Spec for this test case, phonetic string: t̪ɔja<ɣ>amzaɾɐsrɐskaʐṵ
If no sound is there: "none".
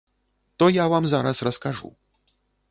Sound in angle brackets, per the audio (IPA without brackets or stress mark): v